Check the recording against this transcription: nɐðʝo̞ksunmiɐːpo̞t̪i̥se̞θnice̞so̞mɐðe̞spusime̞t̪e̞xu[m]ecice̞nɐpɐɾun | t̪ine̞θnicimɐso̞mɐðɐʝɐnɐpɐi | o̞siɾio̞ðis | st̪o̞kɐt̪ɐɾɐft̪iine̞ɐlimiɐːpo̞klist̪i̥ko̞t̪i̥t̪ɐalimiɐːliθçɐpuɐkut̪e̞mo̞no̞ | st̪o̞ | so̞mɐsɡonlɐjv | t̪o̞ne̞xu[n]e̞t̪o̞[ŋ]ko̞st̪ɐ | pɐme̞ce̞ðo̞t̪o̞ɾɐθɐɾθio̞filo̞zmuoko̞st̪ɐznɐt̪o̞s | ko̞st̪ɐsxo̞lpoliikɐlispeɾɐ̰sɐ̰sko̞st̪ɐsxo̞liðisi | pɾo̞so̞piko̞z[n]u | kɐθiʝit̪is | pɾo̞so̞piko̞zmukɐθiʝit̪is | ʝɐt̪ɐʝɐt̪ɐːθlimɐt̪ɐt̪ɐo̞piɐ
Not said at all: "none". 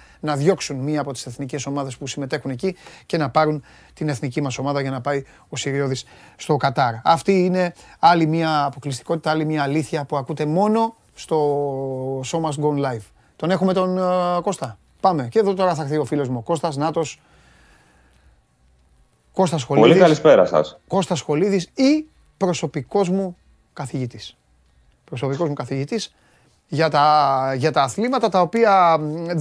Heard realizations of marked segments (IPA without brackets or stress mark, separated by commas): n, m, n, m